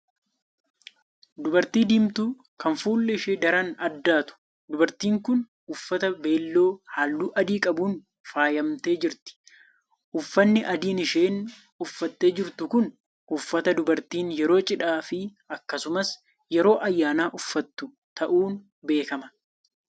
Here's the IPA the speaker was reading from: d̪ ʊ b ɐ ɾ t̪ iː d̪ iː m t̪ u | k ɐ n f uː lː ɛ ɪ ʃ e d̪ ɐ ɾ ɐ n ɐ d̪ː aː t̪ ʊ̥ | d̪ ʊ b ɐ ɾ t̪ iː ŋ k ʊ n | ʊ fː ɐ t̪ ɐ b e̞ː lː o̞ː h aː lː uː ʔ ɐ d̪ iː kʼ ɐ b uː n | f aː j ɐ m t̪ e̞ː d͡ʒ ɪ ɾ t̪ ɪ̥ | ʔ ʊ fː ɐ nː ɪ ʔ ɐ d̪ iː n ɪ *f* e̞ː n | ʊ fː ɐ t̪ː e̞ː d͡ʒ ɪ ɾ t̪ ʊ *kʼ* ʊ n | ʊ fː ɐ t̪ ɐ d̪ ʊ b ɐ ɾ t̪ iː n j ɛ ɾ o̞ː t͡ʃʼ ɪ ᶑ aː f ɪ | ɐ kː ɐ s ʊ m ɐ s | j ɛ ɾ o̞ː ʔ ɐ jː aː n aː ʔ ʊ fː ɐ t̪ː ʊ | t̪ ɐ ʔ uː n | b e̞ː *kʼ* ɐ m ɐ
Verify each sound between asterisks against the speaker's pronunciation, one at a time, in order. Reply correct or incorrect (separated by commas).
incorrect, incorrect, incorrect